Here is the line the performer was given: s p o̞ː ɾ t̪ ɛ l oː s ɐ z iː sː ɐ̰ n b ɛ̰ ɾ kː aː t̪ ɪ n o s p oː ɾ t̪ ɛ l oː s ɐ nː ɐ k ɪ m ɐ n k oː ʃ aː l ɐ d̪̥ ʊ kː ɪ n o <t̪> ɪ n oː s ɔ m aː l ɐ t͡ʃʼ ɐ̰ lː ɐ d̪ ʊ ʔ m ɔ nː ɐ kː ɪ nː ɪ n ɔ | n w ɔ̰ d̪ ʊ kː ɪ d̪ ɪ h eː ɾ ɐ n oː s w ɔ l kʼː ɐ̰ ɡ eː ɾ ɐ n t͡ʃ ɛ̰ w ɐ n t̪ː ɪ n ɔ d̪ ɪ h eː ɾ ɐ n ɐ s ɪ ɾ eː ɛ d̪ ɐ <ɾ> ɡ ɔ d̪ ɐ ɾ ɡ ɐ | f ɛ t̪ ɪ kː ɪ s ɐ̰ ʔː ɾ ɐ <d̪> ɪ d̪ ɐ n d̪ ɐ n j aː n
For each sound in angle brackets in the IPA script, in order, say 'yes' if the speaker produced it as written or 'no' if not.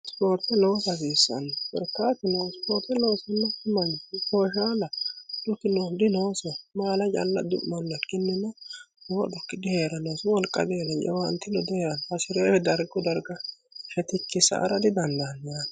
no, yes, yes

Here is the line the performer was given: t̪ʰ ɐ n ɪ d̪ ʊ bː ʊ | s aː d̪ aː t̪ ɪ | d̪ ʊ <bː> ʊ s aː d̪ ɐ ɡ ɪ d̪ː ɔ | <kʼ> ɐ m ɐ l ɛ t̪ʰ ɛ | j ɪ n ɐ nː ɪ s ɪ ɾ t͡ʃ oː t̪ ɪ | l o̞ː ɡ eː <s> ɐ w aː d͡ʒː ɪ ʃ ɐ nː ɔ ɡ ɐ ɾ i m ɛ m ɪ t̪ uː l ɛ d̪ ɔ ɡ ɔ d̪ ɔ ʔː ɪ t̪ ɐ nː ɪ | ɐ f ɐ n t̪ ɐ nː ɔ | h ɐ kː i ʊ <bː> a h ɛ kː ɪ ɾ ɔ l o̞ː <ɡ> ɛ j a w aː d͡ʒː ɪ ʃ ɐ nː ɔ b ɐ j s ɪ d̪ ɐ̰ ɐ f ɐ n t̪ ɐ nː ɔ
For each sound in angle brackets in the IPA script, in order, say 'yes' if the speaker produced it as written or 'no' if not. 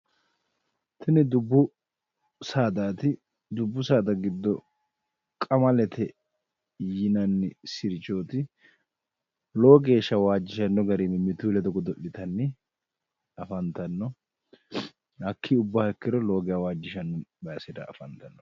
yes, yes, no, yes, yes

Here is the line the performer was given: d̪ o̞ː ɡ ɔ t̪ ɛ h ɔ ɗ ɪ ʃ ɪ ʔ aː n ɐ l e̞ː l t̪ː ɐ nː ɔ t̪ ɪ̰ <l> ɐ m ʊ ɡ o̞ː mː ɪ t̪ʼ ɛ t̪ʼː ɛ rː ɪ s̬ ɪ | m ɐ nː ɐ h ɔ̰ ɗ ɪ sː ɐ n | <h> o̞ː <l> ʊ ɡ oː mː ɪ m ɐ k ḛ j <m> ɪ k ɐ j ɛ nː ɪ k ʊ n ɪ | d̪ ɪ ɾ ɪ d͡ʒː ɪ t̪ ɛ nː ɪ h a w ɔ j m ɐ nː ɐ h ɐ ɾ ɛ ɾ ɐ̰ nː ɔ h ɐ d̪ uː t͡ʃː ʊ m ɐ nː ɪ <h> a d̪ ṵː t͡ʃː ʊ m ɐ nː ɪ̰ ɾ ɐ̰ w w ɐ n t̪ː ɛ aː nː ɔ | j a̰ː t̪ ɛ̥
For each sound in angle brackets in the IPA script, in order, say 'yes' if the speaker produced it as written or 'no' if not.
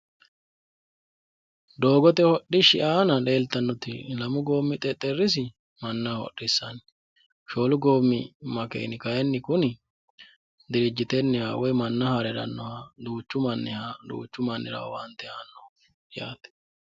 yes, no, yes, no, yes

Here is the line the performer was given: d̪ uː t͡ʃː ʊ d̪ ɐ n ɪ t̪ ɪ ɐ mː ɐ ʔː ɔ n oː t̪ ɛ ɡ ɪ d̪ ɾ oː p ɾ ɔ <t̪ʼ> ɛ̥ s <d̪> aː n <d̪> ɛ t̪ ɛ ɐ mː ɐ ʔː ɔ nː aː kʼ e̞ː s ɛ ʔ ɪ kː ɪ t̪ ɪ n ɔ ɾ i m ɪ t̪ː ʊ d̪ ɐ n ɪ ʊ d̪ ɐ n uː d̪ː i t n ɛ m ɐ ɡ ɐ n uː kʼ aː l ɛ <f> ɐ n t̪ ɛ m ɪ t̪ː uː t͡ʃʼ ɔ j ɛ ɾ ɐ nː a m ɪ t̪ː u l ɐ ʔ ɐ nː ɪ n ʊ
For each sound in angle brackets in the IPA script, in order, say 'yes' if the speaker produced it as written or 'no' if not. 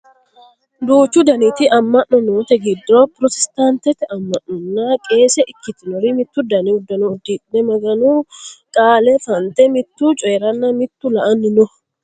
no, no, no, yes

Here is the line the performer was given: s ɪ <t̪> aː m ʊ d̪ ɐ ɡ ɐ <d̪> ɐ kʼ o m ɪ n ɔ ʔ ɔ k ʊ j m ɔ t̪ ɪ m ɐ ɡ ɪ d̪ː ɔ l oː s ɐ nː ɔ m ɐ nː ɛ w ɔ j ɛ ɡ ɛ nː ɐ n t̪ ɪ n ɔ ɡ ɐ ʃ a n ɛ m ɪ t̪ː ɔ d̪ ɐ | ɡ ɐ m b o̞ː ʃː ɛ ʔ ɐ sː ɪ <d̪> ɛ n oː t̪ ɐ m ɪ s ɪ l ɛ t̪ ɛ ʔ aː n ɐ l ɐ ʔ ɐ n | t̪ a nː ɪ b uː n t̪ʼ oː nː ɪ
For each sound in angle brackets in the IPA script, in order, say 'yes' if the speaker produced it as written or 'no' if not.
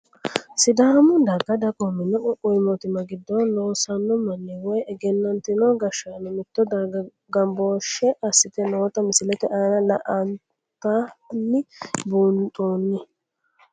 no, yes, no

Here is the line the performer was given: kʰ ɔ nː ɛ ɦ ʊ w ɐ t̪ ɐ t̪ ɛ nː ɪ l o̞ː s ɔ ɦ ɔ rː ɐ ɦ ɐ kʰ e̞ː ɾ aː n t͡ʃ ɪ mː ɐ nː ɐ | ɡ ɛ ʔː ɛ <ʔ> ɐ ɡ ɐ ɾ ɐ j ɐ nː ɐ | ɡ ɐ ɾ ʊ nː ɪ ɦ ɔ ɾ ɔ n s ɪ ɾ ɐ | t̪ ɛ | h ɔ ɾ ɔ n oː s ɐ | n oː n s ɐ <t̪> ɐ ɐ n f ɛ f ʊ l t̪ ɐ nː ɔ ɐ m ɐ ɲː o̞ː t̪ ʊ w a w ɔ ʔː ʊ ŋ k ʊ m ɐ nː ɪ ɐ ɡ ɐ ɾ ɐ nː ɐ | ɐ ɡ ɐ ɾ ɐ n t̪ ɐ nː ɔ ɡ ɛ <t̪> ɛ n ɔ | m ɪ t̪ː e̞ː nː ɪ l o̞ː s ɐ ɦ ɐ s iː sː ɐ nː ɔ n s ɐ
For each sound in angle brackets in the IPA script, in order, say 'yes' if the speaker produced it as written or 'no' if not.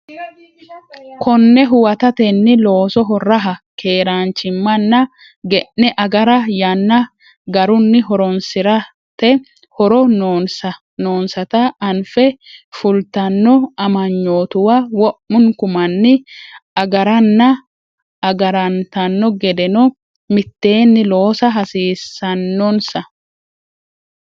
yes, yes, no

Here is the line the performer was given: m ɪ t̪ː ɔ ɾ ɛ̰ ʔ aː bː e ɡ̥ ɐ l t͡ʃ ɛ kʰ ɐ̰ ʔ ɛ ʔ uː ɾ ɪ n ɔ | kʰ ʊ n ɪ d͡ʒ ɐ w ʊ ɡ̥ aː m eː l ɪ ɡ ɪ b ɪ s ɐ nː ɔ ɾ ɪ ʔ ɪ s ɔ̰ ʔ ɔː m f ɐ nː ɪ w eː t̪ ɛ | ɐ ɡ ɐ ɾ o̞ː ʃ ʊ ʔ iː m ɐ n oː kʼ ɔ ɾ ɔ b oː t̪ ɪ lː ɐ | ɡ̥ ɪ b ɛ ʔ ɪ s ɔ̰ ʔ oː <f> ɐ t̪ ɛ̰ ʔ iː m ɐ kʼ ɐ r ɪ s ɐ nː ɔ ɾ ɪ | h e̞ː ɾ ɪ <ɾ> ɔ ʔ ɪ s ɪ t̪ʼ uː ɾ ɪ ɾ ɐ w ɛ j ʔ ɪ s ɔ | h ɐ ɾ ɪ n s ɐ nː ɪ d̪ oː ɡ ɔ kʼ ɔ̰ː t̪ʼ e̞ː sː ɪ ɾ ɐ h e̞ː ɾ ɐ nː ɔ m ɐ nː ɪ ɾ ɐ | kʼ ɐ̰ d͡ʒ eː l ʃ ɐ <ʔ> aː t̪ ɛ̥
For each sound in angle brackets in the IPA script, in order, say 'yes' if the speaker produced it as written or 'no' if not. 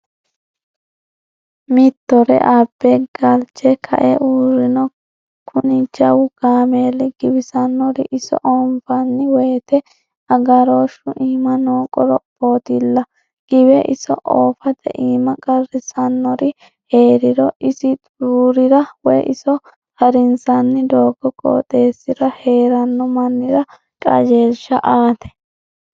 yes, yes, yes

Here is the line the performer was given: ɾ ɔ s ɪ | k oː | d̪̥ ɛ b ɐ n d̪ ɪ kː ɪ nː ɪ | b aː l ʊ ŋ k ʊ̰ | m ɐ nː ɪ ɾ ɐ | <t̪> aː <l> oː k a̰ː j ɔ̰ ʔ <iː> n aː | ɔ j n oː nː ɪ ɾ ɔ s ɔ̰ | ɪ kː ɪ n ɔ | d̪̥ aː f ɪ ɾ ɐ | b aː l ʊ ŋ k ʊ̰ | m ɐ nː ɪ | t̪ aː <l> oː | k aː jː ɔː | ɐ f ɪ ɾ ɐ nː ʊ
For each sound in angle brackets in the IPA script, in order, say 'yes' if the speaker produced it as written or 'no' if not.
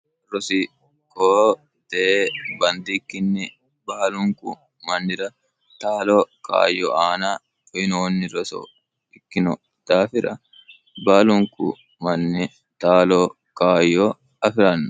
yes, yes, no, yes

